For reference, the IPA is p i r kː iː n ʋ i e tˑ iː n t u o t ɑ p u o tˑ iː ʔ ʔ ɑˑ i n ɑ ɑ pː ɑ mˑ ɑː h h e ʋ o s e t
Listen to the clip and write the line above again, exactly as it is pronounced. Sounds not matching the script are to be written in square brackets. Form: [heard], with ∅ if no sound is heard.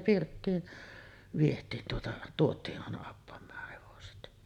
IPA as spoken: p i r [tː] iː n ʋ i e tˑ iː n t u o t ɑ [t] u o tˑ iː ʔ ʔ ɑˑ [e] n ɑ ɑ pː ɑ mˑ ɑː h h e ʋ o s e t